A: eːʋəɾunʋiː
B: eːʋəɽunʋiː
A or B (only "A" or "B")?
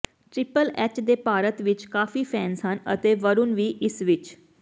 A